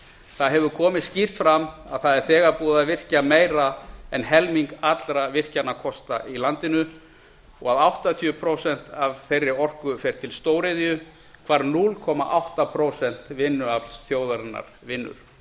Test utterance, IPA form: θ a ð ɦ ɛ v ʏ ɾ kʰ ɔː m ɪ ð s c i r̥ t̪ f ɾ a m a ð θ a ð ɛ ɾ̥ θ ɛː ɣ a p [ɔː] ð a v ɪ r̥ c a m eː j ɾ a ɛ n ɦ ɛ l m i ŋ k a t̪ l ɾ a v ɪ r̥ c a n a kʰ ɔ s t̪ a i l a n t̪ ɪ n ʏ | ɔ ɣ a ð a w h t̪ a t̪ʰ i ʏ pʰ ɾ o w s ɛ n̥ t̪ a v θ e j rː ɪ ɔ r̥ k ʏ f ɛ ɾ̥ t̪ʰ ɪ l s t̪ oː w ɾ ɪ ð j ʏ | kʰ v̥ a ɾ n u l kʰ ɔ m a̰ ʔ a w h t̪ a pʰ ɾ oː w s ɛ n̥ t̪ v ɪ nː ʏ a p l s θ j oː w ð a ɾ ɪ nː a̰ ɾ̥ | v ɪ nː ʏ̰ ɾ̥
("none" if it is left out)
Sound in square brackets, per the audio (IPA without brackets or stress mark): uː